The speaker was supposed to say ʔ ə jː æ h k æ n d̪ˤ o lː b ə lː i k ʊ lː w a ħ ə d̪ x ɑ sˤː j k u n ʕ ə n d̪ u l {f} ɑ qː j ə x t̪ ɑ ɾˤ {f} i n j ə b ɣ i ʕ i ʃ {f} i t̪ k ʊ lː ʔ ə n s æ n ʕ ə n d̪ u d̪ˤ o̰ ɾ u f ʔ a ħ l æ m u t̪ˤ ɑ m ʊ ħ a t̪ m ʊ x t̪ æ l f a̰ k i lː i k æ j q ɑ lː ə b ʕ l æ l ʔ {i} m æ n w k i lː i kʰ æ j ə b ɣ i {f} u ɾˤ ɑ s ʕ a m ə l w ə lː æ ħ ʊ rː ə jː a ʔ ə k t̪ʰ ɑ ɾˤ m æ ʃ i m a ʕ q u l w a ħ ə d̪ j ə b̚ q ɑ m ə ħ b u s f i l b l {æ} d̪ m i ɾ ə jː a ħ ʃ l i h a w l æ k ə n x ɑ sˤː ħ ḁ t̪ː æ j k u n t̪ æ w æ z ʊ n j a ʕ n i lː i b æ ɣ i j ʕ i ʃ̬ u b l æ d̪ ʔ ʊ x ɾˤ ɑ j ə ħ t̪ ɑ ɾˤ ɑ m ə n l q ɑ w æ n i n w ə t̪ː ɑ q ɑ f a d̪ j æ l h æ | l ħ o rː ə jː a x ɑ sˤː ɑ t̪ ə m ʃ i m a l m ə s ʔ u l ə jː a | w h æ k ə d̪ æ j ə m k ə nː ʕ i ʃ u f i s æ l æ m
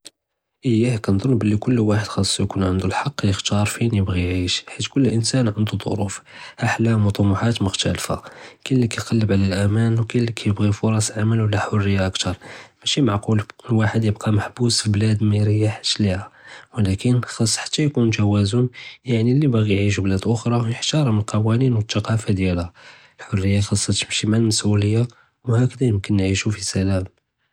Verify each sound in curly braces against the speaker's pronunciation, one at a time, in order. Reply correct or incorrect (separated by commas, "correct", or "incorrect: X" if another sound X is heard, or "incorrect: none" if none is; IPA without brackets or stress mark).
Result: incorrect: ħ, correct, incorrect: ħ, incorrect: æ, correct, correct